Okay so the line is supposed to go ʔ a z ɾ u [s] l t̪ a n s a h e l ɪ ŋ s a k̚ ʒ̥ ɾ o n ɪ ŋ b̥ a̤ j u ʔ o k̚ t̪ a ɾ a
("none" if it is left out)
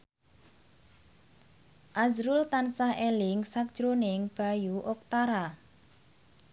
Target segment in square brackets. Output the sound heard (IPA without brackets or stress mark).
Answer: none